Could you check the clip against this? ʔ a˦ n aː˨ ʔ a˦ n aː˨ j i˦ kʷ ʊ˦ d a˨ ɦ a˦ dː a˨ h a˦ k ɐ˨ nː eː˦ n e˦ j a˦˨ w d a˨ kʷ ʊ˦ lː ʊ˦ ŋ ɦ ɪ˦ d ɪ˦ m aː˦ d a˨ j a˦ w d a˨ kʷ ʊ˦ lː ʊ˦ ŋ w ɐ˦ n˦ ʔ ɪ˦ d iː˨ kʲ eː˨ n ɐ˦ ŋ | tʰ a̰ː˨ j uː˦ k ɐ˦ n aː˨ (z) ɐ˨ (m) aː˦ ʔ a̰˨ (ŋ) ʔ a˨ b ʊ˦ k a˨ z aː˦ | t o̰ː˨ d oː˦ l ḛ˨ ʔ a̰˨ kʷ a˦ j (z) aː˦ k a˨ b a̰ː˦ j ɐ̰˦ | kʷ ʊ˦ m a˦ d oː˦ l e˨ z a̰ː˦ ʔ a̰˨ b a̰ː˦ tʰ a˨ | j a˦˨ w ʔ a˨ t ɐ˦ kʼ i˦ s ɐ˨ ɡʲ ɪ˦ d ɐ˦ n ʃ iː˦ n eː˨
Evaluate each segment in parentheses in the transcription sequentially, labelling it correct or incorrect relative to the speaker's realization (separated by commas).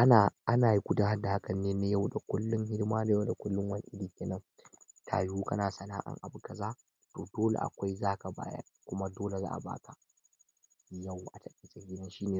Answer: incorrect, incorrect, correct, correct